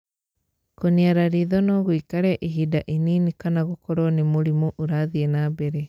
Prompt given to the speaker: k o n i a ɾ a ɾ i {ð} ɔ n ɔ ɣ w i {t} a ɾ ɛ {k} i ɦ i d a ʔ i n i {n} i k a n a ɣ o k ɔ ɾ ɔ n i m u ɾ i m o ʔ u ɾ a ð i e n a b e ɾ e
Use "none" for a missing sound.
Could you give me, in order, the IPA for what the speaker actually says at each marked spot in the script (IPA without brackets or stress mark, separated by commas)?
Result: ð, k, ʔ, n